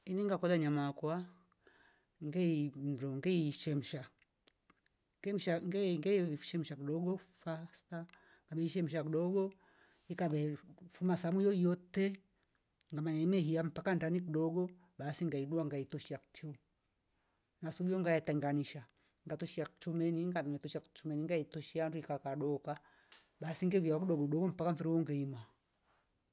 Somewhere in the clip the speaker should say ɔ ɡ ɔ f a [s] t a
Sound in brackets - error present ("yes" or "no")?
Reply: no